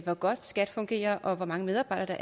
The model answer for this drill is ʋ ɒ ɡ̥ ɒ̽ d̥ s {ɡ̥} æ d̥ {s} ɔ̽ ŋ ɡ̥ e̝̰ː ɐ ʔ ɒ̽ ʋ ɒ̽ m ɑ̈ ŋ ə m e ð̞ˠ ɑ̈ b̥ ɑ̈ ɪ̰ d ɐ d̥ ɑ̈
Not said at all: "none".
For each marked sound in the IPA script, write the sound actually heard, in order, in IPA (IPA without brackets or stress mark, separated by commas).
ɡ̥, f